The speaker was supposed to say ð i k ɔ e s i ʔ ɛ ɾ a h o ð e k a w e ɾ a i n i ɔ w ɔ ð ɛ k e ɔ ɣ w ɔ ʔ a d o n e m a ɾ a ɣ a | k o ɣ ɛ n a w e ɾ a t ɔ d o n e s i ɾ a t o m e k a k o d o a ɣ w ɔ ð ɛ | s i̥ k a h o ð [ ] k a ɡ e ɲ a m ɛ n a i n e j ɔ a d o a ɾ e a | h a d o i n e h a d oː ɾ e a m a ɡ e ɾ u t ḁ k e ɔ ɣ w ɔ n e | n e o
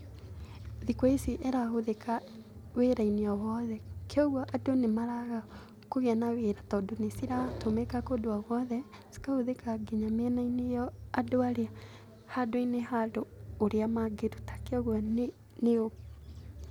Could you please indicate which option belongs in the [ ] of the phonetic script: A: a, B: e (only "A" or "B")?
B